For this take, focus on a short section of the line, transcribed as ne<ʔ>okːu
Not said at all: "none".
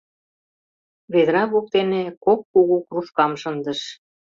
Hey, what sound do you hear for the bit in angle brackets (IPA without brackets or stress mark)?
k